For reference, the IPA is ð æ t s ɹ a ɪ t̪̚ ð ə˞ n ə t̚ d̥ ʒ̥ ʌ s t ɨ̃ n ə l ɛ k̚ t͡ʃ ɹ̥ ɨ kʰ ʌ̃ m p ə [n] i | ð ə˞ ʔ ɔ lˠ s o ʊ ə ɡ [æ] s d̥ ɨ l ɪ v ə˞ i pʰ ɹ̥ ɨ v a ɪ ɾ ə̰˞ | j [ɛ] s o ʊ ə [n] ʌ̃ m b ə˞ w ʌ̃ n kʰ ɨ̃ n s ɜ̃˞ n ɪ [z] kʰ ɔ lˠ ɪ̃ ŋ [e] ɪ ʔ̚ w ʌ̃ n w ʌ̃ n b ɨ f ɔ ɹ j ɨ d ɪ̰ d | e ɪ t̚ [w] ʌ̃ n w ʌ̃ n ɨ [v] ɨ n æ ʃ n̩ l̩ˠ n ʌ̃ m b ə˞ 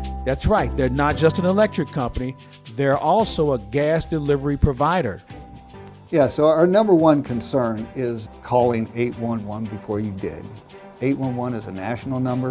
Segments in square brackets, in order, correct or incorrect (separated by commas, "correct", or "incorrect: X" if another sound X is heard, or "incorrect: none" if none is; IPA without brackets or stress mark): correct, correct, incorrect: æ, correct, correct, correct, correct, incorrect: z